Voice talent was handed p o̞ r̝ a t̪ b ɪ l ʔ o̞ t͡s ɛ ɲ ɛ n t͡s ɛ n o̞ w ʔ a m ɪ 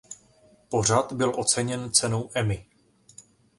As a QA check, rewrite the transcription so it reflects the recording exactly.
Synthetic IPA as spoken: p o̞ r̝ a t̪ b ɪ l ʔ o̞ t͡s ɛ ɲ ɛ n t͡s ɛ n o̞ w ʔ ɛ m ɪ